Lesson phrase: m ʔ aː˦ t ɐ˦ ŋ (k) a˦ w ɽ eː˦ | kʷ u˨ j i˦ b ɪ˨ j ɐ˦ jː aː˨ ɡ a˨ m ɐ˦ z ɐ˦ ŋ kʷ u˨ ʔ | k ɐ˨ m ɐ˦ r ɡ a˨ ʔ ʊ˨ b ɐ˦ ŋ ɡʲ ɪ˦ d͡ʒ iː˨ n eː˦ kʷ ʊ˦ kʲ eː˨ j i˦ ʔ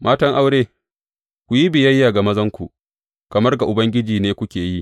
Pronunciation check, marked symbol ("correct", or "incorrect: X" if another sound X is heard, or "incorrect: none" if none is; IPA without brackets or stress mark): incorrect: ʔ